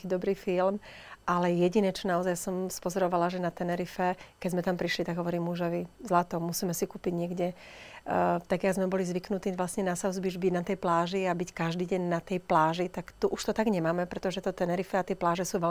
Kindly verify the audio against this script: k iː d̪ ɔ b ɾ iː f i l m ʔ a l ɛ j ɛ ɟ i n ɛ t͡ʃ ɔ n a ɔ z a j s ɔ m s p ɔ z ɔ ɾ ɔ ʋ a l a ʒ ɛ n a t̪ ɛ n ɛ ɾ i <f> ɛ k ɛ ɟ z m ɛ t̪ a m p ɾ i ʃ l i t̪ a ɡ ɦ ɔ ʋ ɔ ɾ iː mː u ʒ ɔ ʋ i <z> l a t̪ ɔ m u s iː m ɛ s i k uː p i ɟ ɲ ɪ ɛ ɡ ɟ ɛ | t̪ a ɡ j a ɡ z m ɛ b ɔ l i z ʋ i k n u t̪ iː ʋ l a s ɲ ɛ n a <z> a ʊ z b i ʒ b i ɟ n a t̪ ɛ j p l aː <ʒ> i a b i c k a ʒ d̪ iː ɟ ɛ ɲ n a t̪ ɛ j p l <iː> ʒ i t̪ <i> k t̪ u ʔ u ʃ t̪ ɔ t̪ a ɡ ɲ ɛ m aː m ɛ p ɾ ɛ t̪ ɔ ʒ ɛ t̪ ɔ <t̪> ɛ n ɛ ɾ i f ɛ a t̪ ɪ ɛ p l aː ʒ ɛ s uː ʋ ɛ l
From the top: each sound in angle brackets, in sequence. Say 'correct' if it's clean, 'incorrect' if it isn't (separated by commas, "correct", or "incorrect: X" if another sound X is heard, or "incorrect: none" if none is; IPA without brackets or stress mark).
correct, correct, incorrect: s, correct, incorrect: aː, incorrect: a, correct